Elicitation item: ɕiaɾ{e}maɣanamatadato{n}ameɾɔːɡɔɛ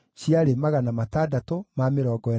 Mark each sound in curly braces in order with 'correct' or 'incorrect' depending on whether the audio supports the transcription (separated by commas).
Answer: correct, incorrect